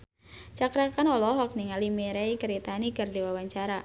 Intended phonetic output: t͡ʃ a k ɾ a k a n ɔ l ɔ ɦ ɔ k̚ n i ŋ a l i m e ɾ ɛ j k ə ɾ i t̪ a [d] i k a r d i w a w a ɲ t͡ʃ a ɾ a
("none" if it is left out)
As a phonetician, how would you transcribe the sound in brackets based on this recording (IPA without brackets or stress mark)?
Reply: n